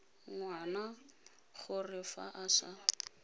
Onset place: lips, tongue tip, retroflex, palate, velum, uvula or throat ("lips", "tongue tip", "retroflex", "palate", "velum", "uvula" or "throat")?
velum